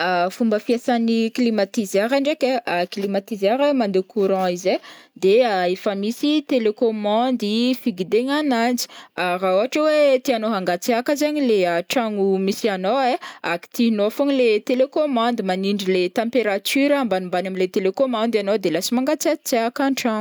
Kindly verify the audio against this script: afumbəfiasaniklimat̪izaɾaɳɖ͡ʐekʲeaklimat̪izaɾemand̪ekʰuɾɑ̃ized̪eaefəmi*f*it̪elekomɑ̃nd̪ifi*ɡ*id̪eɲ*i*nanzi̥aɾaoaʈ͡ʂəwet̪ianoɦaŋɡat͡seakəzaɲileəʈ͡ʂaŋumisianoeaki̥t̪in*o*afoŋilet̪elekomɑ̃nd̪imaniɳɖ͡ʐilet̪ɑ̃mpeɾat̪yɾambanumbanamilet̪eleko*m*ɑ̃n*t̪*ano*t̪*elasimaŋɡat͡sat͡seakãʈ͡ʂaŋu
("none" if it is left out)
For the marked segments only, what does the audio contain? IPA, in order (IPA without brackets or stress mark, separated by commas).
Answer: s, ɡ, a, o, m, d̪, d̪